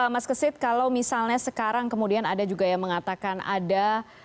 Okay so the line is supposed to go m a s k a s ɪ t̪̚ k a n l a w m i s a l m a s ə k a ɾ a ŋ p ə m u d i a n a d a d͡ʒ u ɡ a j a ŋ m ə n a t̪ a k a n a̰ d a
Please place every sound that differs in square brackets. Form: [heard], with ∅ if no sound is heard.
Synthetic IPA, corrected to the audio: m a s k [ə] s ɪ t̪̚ k a [∅] l a w m i s a l [ɲ] a s ə k a ɾ a ŋ [k] ə m u d i a n a d a d͡ʒ u ɡ a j a ŋ m ə [ŋ] a t̪ a k a n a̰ d a

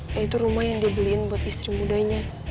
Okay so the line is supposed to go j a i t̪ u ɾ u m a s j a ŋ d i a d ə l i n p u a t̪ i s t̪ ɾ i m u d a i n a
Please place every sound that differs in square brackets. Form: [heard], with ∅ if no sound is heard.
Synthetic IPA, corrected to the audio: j a i t̪ u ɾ u m a [h] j a ŋ d i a [b] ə l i n [b] u a t̪ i s t̪ ɾ i m u d a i [ɲ] a

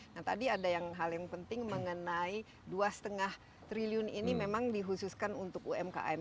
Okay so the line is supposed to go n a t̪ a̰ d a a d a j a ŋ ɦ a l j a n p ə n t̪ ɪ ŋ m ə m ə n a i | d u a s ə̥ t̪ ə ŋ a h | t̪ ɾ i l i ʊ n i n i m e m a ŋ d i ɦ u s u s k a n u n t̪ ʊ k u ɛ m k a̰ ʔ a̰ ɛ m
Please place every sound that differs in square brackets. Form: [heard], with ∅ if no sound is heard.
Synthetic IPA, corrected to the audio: n a t̪ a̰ d [i] a d a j a ŋ ɦ a l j a [ŋ] p ə n t̪ ɪ ŋ m ə [ŋ] ə n a i | d u a s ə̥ t̪ ə ŋ a h | t̪ ɾ i l i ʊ n i n i m e m a ŋ d i ɦ u s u s k a n u n t̪ ʊ k u ɛ m k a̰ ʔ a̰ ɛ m

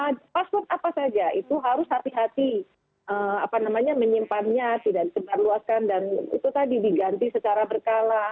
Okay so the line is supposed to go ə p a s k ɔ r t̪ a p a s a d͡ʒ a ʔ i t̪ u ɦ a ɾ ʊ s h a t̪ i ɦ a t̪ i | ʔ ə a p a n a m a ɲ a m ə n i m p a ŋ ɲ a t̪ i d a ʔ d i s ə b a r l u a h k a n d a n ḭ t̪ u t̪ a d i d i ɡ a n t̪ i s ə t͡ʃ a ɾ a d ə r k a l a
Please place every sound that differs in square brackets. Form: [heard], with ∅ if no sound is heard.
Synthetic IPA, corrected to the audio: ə p a s [p] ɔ r t̪ a p a s a d͡ʒ a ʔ i t̪ u ɦ a ɾ ʊ s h a t̪ i ɦ a t̪ i | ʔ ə a p a n a m a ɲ a m ə [ɲ] i m p a [n] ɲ a t̪ i d a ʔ d i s ə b a r l u a [s] k a n d a n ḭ t̪ u t̪ a d i d i ɡ a n t̪ i s ə t͡ʃ a ɾ a [b] ə r k a l a

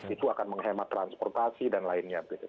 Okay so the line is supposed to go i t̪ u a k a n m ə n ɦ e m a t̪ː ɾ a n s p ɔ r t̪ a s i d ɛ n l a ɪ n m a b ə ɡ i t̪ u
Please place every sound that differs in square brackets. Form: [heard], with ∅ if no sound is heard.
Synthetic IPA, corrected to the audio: i t̪ u a k a n m ə [ŋ] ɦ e m a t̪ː ɾ a n s p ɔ r t̪ a s i d [a] n l a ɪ n [ɲ] a b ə ɡ i t̪ u

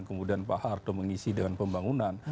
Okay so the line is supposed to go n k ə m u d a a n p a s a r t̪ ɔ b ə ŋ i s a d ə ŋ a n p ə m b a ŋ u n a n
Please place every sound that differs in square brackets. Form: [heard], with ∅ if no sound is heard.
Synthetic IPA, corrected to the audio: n k ə m u d [i] a n p a [h] a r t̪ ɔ [m] ə ŋ i s [i] d ə ŋ a n p ə m b a ŋ u n a n

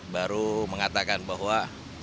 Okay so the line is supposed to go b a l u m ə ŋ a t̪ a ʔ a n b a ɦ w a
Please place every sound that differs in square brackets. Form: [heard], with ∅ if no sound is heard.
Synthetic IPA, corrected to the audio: b a [ɾ] u m ə ŋ a t̪ a [k] a n b a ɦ w a

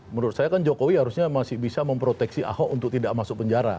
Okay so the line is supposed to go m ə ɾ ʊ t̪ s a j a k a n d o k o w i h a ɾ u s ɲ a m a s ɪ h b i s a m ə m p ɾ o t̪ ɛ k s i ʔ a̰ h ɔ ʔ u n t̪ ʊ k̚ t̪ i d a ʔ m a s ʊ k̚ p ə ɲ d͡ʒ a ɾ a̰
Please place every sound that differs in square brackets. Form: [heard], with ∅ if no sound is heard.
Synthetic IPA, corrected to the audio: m ə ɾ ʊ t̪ s a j a k a n [d͡ʒ] o k o w i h a ɾ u s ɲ a m a s ɪ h b i s a m ə m p ɾ o t̪ ɛ k s i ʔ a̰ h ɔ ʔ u n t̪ ʊ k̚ t̪ i d a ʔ m a s ʊ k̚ p ə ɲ d͡ʒ a ɾ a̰

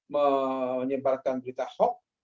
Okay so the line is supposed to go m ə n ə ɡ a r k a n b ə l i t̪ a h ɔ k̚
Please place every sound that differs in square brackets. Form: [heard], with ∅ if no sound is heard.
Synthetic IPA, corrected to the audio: m ə [ɲ] ə [b] a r k a n b ə [ɾ] i t̪ a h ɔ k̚

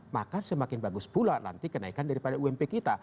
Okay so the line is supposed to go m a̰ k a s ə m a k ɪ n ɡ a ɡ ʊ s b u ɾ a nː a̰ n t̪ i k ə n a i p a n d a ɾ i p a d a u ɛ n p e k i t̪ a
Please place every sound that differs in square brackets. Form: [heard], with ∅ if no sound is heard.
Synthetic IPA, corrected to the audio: m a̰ k a s ə m a k ɪ n [b] a ɡ ʊ s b u [l] a [n] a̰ n t̪ i k ə n a i [k] a n d a ɾ i p a d a u ɛ [m] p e k i t̪ a

